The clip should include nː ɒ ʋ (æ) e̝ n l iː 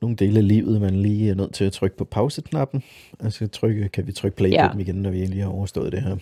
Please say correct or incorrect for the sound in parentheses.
incorrect